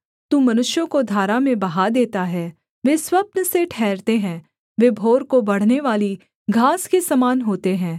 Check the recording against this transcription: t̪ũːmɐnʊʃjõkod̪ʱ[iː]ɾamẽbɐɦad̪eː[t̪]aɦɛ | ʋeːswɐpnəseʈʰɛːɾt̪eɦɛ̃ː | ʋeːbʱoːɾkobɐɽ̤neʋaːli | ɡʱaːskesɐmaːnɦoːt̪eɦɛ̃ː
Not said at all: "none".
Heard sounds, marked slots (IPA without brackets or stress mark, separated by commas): aː, t̪